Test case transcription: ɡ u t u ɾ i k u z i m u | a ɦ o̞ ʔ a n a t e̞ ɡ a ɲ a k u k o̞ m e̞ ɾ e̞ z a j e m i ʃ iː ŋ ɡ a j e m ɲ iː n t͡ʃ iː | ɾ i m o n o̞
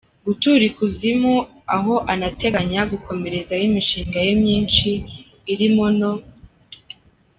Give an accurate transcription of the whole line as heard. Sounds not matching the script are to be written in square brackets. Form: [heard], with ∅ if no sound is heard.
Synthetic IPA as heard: ɡ u t u ɾ i k u z i m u | a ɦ o̞ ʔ a n a t e̞ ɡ a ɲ a [ɡ] u k o̞ m e̞ ɾ e̞ z a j [i] m i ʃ iː ŋ ɡ a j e m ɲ iː n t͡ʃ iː | ɾ i m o n o̞